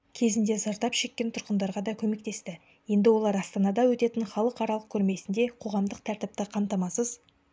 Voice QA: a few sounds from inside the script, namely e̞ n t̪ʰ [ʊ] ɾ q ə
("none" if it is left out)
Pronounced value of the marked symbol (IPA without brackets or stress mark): ʊ